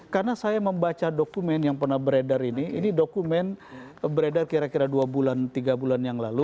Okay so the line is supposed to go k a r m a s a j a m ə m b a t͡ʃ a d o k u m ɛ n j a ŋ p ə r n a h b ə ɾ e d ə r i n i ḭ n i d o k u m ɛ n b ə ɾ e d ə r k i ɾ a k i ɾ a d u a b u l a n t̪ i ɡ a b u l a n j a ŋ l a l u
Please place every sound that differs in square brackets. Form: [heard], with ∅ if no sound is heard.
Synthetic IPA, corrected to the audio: k a r [n] a s a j a m ə m b a t͡ʃ a d o k u m ɛ n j a ŋ p ə r n a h b ə ɾ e d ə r i n i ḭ n i d o k u m ɛ n b ə ɾ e d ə r k i ɾ a k i ɾ a d u a b u l a n t̪ i ɡ a b u l a n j a ŋ l a l u

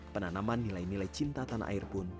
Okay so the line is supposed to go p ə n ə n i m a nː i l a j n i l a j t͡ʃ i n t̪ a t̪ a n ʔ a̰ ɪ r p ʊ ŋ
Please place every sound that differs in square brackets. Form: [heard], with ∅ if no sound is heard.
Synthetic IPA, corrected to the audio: p ə n [a] n [a] m a nː i l a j n i l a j t͡ʃ i n t̪ a t̪ a n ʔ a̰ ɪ r p ʊ [n]

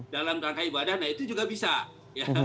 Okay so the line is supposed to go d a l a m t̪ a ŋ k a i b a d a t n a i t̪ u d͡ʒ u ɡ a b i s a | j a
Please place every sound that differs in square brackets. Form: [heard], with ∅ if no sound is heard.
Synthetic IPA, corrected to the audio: d a l a m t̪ a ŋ k a i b a d a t n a i t̪ u d͡ʒ u ɡ a b i s a | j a

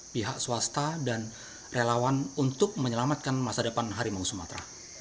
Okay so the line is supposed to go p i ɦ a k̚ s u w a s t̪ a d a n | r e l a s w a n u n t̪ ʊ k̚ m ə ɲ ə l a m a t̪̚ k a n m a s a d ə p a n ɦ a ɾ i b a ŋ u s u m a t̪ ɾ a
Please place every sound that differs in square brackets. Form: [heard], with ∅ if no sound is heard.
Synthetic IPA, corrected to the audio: p i ɦ a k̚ s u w a s t̪ a d a n | r e l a [∅] w a n u n t̪ ʊ k̚ m ə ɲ ə l a m a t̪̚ k a n m a s a d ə p a n ɦ a ɾ i [m] a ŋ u s u m a t̪ ɾ a

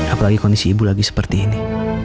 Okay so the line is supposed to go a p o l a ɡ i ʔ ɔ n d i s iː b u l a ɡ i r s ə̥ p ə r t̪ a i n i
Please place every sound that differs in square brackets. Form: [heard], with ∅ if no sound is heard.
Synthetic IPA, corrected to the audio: a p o l a ɡ i [k] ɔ n d i s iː b u l a ɡ i [∅] s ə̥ p ə r t̪ [i] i n i

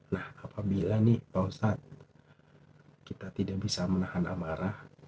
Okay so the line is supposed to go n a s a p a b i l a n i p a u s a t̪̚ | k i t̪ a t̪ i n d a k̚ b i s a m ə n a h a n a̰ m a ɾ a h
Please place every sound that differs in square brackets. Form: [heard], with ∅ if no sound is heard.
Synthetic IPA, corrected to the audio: n a [h] a p a b i l a n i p a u s a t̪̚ | k i t̪ a t̪ i [∅] d a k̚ b i s a m ə n a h a n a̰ m a ɾ a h

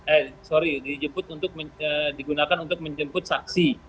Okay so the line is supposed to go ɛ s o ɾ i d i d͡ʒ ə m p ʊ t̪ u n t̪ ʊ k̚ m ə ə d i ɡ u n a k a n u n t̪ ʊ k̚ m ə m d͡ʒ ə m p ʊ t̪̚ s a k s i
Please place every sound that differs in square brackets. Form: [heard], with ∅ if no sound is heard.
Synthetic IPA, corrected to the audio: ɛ s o ɾ i d i d͡ʒ ə m p ʊ t̪ u n t̪ ʊ k̚ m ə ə d i ɡ u n a k a n u n t̪ ʊ k̚ m ə [ɲ] d͡ʒ ə m p ʊ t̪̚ s a k s i

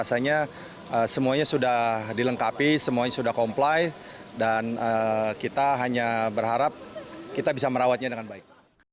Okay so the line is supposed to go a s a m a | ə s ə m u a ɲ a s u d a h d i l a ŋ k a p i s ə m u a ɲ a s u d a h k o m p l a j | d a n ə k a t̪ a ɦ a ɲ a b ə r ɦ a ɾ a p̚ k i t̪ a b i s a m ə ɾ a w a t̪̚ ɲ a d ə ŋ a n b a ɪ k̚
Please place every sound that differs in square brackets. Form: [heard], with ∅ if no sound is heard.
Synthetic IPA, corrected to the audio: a s a [ɲ] a | ə s ə m u a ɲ a s u d a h d i l [ə] ŋ k a p i s ə m u a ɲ a s u d a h k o m p l a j | d a n ə k [i] t̪ a ɦ a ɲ a b ə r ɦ a ɾ a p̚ k i t̪ a b i s a m ə ɾ a w a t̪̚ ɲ a d ə ŋ a n b a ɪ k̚

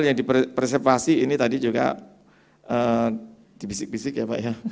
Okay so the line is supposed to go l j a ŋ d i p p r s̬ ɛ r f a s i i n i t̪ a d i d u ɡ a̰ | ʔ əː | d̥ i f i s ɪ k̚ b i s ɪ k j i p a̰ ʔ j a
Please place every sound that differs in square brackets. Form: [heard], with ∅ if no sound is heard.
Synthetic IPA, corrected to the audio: l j a ŋ d i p p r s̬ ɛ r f a s i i n i t̪ a d i [d͡ʒ] u ɡ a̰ | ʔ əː | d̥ i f i s ɪ k̚ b i s ɪ k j [a] p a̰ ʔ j a

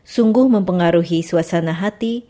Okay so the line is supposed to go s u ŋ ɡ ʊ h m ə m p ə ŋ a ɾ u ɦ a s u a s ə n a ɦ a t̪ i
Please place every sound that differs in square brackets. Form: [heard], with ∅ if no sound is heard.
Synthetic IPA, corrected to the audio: s u ŋ ɡ ʊ h m ə m p ə ŋ a ɾ u ɦ [i] s u a s [a] n a ɦ a t̪ i

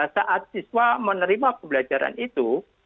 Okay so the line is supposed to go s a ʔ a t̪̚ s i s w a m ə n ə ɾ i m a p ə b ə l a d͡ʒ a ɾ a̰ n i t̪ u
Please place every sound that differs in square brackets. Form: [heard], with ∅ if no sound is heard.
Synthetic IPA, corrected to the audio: s a ʔ a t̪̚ s i s w a m ə n ə ɾ i m a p ə b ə l a d͡ʒ a ɾ a̰ n i t̪ u

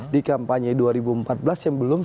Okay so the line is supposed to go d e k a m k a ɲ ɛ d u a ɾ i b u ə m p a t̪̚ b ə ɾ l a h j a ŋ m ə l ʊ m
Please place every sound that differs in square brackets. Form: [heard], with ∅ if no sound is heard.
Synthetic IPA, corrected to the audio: d [i] k a m [p] a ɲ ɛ d u a ɾ i b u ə m p a t̪̚ b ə [∅] l a [s] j a ŋ [b] ə l ʊ m

